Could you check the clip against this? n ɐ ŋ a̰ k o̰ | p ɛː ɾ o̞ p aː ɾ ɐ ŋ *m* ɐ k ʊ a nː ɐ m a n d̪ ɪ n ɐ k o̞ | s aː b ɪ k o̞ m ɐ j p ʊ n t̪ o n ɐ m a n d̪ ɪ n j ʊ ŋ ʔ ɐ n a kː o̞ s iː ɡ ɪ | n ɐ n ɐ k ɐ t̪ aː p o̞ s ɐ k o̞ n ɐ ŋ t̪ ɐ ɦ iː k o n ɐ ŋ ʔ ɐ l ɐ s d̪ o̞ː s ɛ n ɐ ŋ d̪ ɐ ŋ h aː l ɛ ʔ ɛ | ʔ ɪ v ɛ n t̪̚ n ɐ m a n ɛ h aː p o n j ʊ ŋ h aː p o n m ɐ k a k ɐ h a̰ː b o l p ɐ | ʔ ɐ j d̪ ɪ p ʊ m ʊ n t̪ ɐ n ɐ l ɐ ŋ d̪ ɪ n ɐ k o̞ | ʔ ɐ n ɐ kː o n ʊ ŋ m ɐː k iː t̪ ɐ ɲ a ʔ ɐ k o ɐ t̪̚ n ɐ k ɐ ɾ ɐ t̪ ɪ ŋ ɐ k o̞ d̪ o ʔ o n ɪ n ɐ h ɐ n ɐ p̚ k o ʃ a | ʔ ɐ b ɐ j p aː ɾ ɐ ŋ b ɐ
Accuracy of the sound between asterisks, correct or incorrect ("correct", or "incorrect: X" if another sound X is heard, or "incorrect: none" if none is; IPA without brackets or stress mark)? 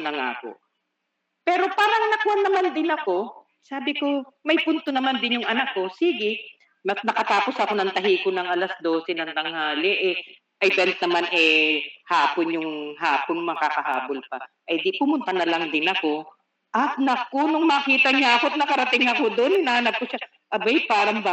incorrect: n